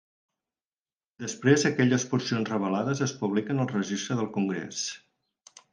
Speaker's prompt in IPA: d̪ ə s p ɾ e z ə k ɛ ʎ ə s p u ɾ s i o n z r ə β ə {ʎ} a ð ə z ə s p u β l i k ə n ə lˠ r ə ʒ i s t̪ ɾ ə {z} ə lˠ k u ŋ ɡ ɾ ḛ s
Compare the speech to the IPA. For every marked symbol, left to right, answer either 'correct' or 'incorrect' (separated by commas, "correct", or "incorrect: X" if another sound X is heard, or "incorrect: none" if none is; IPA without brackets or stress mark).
incorrect: l, incorrect: ð